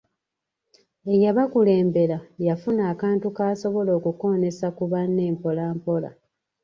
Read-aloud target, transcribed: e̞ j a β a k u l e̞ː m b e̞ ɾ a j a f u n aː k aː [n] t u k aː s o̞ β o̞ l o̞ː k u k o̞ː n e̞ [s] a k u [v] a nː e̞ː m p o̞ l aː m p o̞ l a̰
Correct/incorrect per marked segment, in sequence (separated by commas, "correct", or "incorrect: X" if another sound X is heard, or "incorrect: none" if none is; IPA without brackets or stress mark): correct, correct, incorrect: β